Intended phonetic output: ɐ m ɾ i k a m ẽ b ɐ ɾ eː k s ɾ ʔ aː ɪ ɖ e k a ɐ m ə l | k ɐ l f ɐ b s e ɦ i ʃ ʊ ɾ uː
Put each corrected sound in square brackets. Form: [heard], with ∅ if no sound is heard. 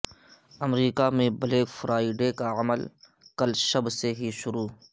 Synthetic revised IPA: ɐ m ɾ [iː] k a m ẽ b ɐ [l] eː k [f] ɾ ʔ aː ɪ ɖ e k a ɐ m ə l | k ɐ l [ʃ] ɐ b s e ɦ i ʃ ʊ ɾ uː